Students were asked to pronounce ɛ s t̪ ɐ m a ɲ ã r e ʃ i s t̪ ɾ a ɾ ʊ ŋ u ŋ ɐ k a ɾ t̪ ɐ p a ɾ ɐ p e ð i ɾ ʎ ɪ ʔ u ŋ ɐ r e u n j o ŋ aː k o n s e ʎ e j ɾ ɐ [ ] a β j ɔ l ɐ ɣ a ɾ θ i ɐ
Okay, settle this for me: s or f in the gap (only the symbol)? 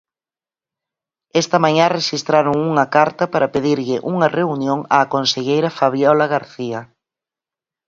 f